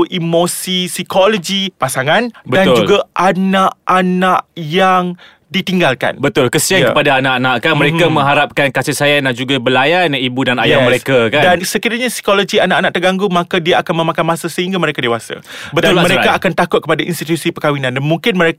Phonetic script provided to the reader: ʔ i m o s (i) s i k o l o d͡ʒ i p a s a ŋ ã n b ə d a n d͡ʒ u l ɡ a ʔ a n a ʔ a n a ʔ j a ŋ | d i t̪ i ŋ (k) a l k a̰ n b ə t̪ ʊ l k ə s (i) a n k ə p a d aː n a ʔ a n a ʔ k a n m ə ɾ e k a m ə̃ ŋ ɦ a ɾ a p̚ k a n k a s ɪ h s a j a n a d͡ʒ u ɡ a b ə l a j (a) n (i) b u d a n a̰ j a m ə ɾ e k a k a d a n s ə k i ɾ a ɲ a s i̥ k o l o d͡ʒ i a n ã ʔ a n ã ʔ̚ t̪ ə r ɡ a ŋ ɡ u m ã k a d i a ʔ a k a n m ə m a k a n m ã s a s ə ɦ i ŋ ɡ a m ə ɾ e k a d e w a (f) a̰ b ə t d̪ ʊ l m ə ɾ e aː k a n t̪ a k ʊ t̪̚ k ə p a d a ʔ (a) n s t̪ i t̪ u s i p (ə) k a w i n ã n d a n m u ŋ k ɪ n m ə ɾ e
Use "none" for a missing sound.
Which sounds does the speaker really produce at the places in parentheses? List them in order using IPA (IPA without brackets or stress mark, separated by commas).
i, ɡ, i, a, i, s, i, ə